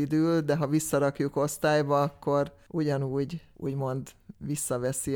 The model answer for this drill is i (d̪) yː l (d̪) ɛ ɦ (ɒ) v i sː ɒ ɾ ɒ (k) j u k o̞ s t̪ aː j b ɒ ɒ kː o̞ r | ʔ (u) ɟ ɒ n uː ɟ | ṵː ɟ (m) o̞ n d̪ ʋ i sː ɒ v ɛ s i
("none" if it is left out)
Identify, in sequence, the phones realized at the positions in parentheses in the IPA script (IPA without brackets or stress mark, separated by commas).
d̪, d̪, ɒ, k, u, m